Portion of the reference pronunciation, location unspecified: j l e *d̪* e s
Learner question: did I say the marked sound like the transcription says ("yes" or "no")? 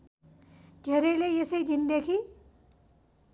no